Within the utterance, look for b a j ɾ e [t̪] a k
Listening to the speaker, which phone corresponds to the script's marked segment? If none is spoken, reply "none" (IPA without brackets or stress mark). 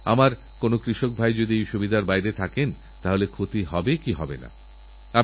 t̪ʰ